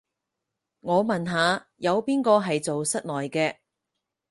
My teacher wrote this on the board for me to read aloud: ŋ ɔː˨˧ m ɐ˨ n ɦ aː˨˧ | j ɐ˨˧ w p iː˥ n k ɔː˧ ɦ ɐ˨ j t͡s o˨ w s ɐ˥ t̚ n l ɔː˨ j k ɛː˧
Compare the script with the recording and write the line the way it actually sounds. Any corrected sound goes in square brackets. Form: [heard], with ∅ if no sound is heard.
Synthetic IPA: ŋ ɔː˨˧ m ɐ˨ n ɦ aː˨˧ | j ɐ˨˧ w p iː˥ n k ɔː˧ ɦ ɐ˨ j t͡s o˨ w s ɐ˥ t̚ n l ɔː˨ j k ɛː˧